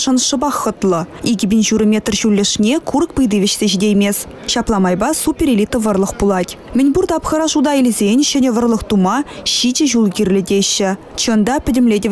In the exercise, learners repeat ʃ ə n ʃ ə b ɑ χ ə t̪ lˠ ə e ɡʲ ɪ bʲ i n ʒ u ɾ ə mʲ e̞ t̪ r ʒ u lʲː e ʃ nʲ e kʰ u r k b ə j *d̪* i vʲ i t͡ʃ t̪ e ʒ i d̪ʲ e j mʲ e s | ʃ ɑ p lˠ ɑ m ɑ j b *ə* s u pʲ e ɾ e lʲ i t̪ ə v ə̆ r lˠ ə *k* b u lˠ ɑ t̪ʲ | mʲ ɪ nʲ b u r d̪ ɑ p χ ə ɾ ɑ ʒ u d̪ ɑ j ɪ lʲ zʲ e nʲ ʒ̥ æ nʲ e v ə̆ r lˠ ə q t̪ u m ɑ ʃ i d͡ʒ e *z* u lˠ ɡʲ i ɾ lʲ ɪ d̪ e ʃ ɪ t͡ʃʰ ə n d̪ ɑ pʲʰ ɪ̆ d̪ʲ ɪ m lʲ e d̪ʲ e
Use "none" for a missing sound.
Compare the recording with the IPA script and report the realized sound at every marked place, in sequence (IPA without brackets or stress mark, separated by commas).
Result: d̪, ɑ, q, ʒ